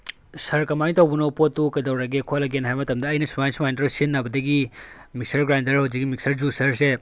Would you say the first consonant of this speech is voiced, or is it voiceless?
voiceless